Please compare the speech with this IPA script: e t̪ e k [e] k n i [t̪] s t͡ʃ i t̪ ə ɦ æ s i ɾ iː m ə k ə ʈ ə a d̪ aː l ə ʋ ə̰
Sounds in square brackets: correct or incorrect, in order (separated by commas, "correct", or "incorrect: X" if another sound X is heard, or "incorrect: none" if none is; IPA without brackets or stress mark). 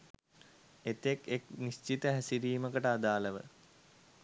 correct, incorrect: none